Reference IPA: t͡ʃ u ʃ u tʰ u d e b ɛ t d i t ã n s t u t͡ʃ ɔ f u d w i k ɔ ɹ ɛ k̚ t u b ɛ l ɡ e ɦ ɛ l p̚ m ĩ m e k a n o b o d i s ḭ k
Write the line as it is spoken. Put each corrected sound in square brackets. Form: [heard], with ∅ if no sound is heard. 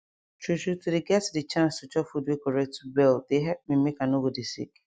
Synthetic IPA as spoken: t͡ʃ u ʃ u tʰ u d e [ɡ] ɛ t d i [t͡ʃ] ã n s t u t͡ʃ ɔ f u d w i k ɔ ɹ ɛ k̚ t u b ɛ l [d] e ɦ ɛ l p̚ m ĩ m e k a n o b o d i s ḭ k